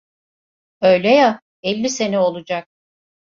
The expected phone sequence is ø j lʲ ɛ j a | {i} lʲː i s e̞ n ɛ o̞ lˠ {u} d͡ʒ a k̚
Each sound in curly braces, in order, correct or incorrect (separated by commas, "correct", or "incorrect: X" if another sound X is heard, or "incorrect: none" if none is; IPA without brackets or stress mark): incorrect: ɛ, correct